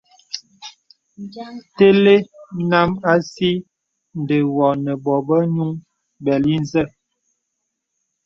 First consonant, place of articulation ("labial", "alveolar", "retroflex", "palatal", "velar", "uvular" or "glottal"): alveolar